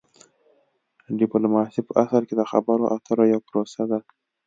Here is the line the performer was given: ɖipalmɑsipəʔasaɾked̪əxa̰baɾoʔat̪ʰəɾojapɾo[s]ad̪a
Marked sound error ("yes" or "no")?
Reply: no